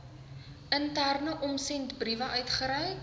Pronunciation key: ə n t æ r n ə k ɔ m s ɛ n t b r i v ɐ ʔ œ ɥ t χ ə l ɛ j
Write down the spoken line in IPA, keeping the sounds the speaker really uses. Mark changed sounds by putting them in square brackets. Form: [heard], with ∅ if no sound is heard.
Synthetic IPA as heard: ə n t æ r n ə [ʔ] ɔ m s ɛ n t b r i v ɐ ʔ œ ɥ t χ ə [ɾ] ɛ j